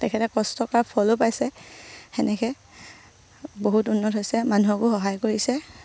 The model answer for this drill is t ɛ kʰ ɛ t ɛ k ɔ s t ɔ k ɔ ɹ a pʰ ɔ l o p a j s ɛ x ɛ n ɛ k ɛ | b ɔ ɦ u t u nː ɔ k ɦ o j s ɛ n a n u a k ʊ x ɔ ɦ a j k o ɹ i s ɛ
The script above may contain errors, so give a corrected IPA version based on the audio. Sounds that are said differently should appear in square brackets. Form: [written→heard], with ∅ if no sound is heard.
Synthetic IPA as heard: t ɛ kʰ ɛ t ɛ k ɔ s t ɔ k ɔ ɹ a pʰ ɔ l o p a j s ɛ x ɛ n ɛ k ɛ | b [ɔ→o] ɦ u t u nː ɔ [k→t] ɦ o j s ɛ [n→m] a n u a k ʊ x ɔ ɦ a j k o ɹ i s ɛ